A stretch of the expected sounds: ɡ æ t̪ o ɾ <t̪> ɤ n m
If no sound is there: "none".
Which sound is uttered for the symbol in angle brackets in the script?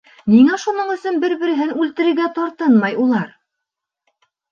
t̪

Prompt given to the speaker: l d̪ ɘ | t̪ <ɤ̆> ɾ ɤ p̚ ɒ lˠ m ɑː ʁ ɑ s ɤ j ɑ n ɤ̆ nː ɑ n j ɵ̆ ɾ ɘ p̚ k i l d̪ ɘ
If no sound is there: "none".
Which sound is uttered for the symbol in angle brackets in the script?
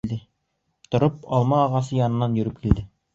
ŏ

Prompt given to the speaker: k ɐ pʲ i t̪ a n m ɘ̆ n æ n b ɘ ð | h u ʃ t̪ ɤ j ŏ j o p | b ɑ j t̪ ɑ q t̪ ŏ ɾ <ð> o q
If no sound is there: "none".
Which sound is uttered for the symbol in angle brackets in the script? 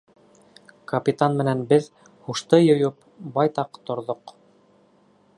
ð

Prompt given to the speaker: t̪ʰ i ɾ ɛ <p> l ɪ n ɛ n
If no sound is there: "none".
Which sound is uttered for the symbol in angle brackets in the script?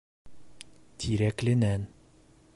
k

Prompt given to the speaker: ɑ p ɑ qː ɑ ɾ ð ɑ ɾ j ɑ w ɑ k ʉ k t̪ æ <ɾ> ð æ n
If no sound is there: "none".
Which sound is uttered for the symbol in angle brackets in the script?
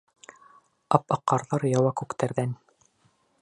ɾ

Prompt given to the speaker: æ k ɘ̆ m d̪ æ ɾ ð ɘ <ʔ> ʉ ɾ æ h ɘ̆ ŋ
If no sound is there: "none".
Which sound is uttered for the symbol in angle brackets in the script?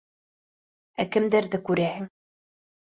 k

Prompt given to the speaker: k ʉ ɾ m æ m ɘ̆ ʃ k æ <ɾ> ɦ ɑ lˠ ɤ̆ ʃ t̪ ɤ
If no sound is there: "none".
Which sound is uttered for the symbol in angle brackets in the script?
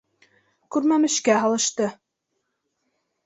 none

